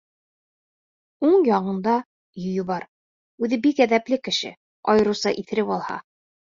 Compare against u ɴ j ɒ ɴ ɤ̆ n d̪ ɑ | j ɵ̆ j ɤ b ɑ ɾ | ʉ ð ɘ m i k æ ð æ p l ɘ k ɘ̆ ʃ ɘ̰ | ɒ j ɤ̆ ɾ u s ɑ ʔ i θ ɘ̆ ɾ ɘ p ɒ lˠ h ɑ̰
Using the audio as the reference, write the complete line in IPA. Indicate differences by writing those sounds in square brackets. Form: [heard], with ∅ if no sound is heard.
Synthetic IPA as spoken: u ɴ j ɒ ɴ ɤ̆ n d̪ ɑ | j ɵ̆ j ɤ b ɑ ɾ | ʉ ð ɘ [b] i k æ ð æ p l ɘ k ɘ̆ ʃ ɘ̰ | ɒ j ɤ̆ ɾ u s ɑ ʔ i θ ɘ̆ ɾ ɘ p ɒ lˠ h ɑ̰